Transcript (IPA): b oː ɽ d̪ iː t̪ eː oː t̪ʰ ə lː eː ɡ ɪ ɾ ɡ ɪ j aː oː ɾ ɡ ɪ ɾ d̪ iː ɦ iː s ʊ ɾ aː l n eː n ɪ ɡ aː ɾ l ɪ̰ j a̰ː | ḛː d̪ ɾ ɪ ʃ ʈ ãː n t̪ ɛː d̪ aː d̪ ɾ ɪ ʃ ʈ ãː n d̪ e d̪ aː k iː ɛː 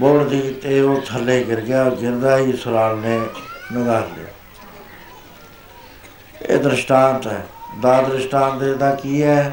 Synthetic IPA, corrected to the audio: b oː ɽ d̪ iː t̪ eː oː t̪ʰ ə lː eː ɡ ɪ ɾ ɡ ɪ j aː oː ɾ ɡ ɪ ɾ d̪ aː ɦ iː s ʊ ɾ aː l n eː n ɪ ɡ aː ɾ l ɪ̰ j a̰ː | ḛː d̪ ɾ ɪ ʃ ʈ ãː n t̪ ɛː d̪ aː d̪ ɾ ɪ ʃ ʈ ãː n t̪ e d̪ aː k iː ɛː